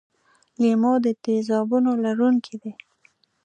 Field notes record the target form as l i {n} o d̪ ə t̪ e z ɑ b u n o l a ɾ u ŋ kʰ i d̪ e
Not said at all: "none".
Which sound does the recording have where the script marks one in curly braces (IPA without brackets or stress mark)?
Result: m